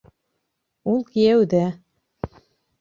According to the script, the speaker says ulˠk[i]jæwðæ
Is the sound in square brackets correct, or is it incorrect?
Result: correct